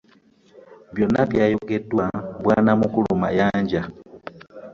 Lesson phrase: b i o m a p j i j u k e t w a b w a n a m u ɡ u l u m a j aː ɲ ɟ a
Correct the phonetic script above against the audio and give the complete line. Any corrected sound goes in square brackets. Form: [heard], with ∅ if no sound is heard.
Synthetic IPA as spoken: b [j] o [n] a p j [a] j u k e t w a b w a n a m u [k] u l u m a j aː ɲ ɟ a